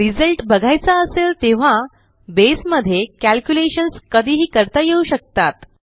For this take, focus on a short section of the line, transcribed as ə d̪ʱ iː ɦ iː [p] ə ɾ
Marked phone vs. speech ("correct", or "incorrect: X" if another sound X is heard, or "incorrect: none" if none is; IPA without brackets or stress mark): incorrect: k